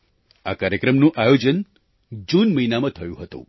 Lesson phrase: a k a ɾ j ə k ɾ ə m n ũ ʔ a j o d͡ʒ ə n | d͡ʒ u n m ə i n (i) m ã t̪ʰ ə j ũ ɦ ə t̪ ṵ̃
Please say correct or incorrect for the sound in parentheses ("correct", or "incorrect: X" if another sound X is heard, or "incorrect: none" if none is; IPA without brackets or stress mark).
incorrect: a